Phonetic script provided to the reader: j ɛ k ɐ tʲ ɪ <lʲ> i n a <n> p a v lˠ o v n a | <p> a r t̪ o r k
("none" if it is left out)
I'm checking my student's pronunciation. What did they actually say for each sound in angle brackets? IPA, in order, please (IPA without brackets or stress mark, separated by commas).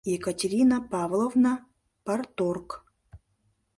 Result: ɾʲ, none, p